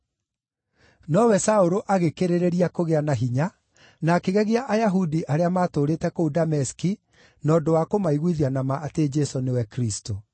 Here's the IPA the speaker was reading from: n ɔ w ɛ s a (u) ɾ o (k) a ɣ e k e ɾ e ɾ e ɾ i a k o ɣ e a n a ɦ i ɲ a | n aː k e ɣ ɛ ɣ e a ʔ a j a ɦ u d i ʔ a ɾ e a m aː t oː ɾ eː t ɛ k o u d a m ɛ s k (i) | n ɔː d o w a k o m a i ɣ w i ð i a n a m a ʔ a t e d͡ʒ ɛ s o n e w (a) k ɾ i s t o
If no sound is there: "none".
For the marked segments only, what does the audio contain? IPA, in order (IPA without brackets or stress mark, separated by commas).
o, ʔ, i, ɛ